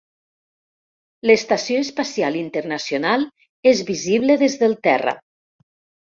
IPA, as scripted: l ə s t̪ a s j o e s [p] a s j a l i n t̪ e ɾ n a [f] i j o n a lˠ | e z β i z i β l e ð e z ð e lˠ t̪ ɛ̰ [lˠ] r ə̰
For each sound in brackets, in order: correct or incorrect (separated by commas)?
correct, incorrect, incorrect